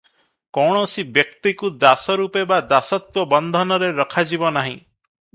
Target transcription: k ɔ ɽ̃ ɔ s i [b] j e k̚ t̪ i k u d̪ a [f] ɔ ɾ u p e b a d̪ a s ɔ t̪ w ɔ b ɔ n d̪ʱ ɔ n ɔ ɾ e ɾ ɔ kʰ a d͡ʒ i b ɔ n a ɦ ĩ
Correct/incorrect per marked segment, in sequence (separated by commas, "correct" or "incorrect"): correct, incorrect